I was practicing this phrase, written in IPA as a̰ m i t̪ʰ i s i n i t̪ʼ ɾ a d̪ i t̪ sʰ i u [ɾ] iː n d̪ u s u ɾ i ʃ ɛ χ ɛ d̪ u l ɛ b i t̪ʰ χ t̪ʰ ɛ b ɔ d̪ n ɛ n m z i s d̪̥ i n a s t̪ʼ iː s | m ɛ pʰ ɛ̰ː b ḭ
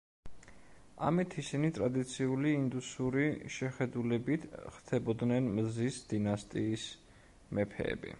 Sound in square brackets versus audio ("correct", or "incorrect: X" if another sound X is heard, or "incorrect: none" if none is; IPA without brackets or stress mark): incorrect: l